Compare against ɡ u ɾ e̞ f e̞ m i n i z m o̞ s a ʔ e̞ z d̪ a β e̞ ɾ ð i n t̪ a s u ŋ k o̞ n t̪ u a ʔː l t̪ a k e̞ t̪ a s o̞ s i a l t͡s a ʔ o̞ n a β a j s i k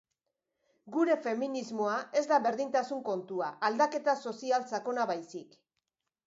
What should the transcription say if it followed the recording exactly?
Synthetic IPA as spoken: ɡ u ɾ e̞ f e̞ m i n i z m o̞ a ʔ e̞ z d̪ a β e̞ ɾ ð i n t̪ a s u ŋ k o̞ n t̪ u a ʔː l d̪ a k e̞ t̪ a s o̞ s i a l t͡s a k o̞ n a β a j s i k